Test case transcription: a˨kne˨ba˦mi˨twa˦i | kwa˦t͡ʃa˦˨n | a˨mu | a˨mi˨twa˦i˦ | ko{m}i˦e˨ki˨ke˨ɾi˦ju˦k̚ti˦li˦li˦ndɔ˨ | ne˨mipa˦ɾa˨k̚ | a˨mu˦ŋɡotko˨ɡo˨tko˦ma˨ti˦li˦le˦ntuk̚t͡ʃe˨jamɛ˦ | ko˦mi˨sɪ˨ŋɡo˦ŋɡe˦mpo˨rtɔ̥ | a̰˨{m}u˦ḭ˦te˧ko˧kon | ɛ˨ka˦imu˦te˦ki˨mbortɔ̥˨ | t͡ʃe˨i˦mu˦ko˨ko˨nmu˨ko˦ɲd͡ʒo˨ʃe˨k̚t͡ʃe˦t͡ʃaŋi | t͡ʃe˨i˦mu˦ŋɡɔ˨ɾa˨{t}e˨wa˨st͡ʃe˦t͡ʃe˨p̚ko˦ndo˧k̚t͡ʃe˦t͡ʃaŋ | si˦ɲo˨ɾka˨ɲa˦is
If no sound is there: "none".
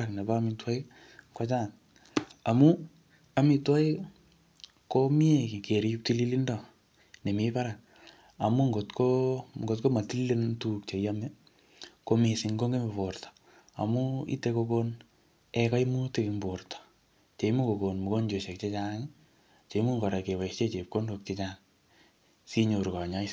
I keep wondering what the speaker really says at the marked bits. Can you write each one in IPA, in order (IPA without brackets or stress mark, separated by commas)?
m, m, k